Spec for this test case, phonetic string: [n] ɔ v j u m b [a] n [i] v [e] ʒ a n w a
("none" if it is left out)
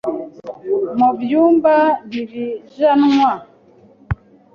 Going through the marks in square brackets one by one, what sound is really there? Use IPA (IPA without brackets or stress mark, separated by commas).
m, a, i, i